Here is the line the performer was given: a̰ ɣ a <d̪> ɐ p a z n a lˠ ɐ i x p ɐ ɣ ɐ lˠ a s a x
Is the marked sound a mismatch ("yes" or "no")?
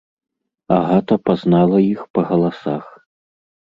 yes